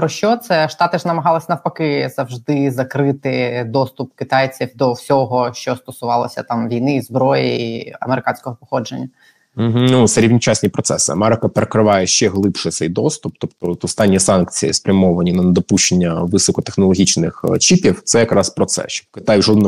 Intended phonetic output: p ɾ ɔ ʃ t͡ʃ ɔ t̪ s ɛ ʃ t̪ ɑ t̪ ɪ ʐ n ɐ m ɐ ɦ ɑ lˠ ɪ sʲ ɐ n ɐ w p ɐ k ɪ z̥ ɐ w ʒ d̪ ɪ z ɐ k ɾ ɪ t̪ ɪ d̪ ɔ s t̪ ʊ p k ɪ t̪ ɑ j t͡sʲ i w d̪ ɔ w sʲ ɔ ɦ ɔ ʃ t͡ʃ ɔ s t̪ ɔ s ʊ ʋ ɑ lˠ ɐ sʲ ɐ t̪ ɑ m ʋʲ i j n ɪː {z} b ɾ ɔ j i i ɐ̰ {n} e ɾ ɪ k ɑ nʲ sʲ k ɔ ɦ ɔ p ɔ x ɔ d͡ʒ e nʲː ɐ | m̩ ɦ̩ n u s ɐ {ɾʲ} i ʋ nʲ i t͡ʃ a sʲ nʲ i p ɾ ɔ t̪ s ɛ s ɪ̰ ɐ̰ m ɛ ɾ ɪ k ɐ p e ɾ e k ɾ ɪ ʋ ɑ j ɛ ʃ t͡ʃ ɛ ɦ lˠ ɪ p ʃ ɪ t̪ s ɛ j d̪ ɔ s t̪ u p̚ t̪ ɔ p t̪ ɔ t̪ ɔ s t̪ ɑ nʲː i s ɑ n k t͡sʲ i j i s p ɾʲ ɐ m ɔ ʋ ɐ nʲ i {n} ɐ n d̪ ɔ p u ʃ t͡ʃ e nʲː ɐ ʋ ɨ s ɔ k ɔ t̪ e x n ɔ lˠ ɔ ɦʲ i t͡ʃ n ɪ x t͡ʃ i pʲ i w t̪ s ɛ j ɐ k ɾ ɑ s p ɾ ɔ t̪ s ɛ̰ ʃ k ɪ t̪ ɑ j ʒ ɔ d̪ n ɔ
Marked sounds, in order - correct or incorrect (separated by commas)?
correct, incorrect, correct, correct